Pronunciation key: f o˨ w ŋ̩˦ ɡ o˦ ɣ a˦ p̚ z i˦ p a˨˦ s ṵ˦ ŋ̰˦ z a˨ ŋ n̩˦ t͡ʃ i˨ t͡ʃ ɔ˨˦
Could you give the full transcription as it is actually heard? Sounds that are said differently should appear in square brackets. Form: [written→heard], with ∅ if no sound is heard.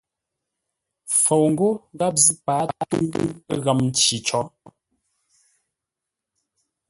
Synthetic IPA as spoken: f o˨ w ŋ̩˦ ɡ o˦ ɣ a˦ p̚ z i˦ p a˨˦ [s→t] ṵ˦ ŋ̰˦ [z→ɣ] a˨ [ŋ→m] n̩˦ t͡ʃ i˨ t͡ʃ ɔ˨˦